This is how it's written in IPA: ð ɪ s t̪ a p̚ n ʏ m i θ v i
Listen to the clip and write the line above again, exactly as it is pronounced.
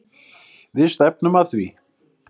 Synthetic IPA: ð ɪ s t̪ ɛ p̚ n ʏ m a θ v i